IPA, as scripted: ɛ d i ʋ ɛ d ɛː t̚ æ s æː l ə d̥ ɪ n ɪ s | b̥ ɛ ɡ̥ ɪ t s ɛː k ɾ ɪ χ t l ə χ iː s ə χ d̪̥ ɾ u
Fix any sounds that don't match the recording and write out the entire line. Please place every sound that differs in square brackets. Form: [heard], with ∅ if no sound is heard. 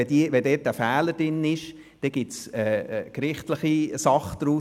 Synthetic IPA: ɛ d i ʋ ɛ d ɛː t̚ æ [f] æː l ə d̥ ɪ n ɪ [ʃ] | [d̥] ɛ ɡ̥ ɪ t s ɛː k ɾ ɪ χ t l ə χ [i] s [ɑ] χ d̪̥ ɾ u